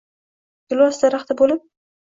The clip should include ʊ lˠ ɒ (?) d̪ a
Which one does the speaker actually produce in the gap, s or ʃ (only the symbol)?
s